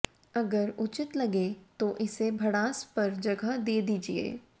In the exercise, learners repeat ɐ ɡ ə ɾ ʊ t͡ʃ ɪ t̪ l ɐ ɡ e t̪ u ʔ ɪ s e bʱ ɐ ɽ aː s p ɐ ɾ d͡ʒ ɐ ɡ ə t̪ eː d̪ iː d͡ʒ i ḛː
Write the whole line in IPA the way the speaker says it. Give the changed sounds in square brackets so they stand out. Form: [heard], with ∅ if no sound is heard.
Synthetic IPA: ɐ ɡ ə ɾ ʊ t͡ʃ ɪ t̪ l ɐ ɡ e t̪ [o] ʔ ɪ s e bʱ ɐ ɽ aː s p ɐ ɾ d͡ʒ ɐ ɡ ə [d̪] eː d̪ iː d͡ʒ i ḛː